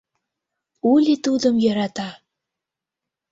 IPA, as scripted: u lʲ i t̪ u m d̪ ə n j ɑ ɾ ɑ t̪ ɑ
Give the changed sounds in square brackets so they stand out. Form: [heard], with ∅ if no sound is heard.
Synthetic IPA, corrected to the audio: u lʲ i t̪ u [∅] d̪ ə [m] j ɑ ɾ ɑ t̪ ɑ